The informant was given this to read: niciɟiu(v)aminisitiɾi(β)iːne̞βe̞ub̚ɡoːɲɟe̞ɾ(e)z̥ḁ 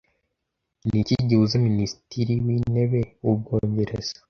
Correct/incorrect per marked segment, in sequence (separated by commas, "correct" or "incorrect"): incorrect, incorrect, correct